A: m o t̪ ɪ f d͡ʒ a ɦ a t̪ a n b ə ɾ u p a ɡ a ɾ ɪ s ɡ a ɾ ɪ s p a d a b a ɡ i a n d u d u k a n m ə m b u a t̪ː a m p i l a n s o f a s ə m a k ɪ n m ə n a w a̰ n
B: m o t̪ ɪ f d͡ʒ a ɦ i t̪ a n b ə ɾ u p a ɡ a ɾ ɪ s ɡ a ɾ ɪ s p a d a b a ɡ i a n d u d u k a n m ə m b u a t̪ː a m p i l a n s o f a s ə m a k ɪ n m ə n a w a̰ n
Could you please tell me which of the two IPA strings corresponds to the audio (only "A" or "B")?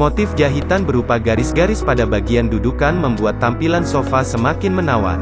B